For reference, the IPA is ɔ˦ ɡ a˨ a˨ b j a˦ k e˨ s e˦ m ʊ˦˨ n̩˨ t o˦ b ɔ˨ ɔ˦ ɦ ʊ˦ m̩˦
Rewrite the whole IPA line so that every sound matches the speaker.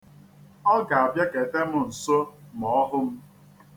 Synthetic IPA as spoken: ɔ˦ ɡ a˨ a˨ b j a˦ k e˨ t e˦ m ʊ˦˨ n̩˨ s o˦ m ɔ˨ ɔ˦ ɦ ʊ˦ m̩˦